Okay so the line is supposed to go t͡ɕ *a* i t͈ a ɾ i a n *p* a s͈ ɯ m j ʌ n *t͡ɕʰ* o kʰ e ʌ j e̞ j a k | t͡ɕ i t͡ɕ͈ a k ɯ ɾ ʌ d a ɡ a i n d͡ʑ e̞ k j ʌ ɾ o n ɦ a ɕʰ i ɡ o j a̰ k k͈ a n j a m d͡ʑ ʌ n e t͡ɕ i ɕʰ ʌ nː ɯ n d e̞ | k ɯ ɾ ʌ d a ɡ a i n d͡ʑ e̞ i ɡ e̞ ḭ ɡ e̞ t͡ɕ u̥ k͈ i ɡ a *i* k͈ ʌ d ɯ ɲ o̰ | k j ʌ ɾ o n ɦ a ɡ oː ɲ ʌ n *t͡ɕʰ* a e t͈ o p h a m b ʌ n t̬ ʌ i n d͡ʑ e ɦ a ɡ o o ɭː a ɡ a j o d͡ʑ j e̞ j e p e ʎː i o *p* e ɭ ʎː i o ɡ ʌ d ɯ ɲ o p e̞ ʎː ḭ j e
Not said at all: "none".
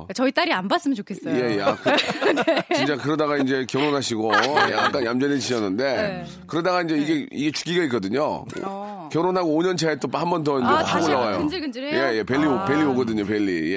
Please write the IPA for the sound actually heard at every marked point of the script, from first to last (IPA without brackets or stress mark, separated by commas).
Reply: ʌ, b, t͡ɕ, i, t͡ɕʰ, p